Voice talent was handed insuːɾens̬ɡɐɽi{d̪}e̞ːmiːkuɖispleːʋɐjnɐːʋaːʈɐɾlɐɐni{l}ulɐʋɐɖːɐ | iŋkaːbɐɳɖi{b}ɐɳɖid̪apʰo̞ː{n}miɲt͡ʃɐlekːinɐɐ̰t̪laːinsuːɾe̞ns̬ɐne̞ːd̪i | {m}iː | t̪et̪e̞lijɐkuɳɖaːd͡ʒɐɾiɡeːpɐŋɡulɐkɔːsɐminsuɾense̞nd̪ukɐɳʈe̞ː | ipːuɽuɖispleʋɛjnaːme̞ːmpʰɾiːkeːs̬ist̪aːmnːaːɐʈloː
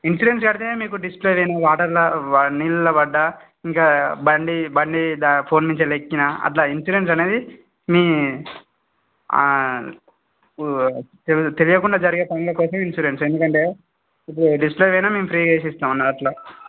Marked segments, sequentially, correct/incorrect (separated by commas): incorrect, correct, correct, correct, correct